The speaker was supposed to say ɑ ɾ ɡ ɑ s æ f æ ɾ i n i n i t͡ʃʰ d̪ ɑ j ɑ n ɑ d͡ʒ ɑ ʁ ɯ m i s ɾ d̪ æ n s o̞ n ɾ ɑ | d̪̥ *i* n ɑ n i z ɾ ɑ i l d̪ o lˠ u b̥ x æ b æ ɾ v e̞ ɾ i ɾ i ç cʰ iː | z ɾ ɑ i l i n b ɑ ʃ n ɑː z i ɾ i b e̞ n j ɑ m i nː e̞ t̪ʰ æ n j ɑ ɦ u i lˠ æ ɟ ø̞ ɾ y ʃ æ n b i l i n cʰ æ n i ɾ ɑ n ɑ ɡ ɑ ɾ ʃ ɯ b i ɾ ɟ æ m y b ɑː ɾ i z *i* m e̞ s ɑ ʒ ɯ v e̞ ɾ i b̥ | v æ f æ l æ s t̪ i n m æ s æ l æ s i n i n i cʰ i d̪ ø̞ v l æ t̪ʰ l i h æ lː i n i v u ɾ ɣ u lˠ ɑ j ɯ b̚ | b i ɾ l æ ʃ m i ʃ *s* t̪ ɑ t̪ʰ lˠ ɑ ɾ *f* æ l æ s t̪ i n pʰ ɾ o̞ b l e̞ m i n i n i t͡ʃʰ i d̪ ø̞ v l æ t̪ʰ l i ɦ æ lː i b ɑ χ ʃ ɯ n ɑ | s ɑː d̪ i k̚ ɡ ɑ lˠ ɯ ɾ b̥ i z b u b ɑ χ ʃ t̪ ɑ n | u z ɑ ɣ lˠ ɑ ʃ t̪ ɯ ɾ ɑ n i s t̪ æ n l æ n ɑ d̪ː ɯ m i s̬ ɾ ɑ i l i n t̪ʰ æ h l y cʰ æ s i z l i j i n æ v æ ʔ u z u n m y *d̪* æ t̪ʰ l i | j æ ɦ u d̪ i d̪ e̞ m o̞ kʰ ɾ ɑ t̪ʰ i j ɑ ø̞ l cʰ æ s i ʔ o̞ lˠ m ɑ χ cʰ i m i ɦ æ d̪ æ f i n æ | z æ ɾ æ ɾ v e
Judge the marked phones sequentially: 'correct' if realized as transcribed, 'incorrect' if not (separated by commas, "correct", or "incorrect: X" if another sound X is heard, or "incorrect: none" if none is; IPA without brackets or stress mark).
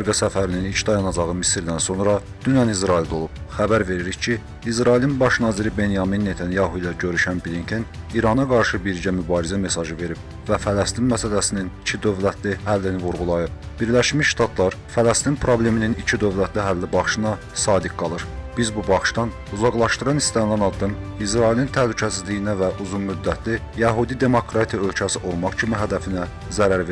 incorrect: y, incorrect: æ, incorrect: ʃ, correct, incorrect: d̪ː